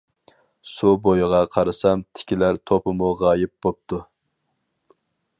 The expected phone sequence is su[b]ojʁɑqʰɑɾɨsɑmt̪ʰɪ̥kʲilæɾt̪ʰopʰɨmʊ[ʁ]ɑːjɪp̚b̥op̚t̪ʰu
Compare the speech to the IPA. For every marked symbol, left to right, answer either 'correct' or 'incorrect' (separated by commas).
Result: correct, correct